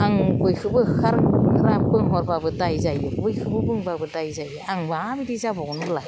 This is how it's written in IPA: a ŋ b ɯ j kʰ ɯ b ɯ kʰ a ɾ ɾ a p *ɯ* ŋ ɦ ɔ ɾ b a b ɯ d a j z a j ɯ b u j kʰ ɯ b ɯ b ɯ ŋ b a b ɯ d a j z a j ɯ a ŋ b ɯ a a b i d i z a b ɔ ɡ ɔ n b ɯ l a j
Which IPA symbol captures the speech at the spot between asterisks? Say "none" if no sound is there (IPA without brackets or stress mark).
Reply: ɯ